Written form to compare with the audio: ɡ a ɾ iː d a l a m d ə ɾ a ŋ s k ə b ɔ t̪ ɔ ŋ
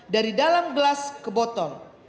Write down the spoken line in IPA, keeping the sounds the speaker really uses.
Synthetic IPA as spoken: d a ɾ i d a l a m ɡ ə l a s k ə b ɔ t̪ ɔ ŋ